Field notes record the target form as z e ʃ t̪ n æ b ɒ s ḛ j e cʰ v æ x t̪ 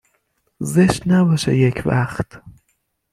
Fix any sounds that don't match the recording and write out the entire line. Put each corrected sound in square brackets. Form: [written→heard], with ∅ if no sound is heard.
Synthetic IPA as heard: z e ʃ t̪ n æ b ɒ [s→ʃ] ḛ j e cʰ v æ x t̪